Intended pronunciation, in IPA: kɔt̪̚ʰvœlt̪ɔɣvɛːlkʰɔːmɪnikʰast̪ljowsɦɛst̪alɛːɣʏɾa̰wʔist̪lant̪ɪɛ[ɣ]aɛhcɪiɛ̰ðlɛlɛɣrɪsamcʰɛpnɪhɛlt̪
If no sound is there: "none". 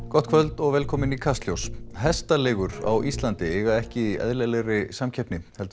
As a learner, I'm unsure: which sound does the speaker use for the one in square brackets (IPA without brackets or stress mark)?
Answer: ɣ